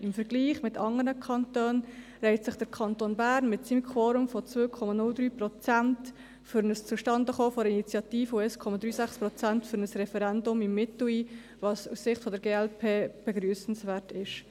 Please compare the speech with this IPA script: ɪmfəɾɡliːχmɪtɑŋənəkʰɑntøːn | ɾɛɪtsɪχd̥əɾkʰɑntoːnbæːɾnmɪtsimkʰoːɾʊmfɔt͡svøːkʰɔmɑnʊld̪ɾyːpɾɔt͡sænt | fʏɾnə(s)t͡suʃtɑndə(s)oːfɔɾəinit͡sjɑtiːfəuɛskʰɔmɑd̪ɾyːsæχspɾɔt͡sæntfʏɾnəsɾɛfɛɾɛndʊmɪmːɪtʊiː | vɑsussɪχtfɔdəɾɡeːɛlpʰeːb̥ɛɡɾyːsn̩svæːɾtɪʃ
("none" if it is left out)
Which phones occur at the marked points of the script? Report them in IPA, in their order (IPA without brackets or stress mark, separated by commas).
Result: s, χ